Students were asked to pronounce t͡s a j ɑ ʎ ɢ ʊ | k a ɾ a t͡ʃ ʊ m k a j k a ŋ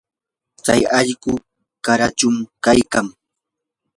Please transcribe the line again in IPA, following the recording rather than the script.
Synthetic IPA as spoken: t͡s a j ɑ ʎ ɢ ʊ | k a ɾ a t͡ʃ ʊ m k a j k a ŋ

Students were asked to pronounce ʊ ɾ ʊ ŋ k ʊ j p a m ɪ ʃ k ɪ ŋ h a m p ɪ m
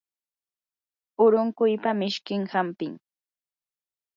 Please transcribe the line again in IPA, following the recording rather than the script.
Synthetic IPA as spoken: ʊ ɾ ʊ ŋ k ʊ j p a m ɪ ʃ k ɪ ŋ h a m p ɪ ŋ

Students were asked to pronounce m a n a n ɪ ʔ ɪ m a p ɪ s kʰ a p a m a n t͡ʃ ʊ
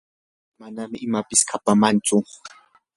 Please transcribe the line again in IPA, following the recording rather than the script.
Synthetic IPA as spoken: m a n a m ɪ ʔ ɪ m a p ɪ s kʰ a p a m a n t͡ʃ ʊ

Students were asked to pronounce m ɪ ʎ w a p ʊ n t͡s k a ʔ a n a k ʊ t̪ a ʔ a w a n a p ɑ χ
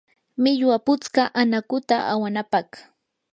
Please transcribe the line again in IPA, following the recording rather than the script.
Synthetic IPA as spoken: m ɪ ʎ w a p ʊ t͡s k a ʔ a n a k ʊ t̪ a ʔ a w a n a p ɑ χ

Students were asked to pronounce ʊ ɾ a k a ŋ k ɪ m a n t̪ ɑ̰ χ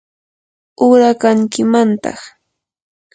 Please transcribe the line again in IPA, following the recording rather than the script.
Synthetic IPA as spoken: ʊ ɾ a k a ŋ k ɪ m a n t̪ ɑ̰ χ

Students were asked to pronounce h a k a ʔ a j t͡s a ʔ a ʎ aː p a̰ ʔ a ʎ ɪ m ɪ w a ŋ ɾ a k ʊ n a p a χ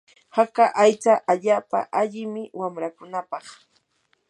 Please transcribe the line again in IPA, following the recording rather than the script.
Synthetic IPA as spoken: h a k a ʔ a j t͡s a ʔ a ʎ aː p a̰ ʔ a ʎ ɪ m ɪ w a m ɾ a k ʊ n a p ɑ χ

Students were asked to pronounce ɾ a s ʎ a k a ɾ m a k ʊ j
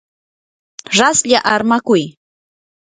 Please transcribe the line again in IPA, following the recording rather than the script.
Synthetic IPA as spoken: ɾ a s ʎ a ʔ a ɾ m a k ʊ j

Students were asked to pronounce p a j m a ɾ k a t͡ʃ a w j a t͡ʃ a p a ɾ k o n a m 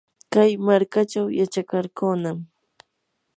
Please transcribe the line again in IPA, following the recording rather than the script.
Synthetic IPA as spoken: k a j m a ɾ k a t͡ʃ a w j a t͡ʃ a k a ɾ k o n a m

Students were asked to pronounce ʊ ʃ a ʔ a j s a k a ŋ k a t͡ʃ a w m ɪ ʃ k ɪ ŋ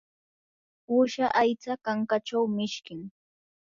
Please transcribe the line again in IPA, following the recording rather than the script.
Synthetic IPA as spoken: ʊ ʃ a ʔ a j t͡s a k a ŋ k a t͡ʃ a w m ɪ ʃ k ɪ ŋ

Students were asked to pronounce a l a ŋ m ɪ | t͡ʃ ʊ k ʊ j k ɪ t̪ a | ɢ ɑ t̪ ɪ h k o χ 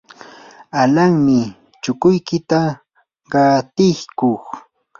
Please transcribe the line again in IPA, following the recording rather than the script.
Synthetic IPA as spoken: a l a ŋ m ɪ | t͡ʃ ʊ k ʊ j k ɪ t̪ a | ɢ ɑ t̪ ɪ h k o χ

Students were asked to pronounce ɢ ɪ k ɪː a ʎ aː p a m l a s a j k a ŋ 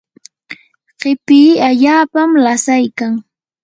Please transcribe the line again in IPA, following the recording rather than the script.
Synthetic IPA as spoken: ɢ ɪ p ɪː a ʎ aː p a m l a s a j k a ŋ

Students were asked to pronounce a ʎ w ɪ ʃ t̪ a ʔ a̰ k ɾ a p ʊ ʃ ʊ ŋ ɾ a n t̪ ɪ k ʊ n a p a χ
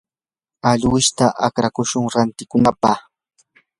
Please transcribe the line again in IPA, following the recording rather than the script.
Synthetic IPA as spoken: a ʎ w ɪ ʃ t̪ a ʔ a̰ k ɾ a k ʊ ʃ ʊ ŋ ɾ a n t̪ ɪ k ʊ n a p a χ

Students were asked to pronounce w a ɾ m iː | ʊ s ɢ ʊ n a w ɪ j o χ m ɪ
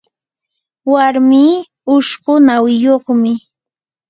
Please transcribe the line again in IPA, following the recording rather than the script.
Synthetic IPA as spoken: w a ɾ m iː | ʊ ʃ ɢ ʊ n a w ɪ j o χ m ɪ

